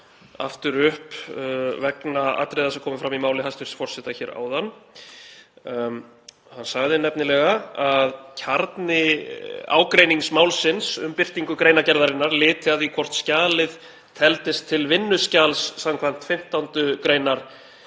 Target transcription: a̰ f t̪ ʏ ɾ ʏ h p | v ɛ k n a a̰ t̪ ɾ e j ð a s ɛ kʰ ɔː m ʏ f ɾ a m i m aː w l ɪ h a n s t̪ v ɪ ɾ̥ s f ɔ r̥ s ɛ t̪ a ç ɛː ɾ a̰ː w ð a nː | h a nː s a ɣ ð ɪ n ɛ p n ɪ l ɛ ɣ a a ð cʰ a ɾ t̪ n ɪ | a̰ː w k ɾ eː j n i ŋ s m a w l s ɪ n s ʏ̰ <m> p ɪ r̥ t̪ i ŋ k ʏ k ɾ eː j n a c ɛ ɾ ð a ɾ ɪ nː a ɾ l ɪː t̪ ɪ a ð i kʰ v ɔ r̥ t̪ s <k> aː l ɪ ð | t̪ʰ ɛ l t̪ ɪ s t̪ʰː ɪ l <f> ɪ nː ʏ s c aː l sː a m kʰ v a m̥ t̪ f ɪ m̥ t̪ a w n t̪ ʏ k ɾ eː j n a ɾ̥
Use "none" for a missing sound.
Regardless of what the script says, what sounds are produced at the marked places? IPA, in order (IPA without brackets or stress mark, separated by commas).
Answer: m, c, v